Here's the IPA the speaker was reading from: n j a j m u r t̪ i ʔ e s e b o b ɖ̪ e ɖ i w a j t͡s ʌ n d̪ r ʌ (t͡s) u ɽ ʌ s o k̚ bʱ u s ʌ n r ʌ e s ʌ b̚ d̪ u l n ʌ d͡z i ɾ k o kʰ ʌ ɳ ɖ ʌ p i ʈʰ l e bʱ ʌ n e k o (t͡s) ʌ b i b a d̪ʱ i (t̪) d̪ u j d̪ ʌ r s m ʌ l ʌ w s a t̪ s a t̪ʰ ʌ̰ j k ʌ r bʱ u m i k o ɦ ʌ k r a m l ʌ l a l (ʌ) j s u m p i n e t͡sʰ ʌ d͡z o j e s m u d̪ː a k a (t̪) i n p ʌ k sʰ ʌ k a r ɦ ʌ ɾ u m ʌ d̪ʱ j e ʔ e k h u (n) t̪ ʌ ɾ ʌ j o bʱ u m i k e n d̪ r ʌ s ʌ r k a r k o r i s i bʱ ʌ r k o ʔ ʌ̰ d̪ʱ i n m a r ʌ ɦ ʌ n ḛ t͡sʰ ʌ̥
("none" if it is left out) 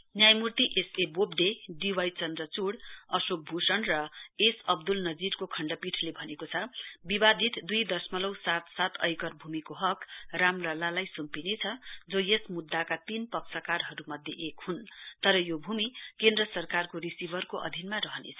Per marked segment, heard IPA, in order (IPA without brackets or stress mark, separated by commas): t͡s, t͡sʰ, t̪, a, t̪, n